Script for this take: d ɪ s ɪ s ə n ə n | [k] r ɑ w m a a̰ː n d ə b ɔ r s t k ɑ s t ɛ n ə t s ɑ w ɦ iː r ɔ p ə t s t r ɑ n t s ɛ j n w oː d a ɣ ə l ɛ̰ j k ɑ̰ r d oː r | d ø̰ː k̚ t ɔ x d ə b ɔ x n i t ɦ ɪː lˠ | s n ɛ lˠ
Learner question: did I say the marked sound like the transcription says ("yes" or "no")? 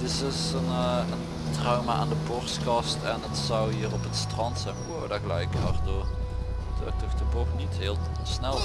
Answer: no